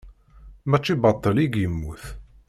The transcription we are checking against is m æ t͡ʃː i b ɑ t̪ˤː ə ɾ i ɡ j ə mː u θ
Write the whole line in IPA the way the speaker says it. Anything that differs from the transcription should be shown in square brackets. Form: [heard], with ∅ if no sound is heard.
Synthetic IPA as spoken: m æ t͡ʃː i b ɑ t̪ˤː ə [l] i ɡ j ə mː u θ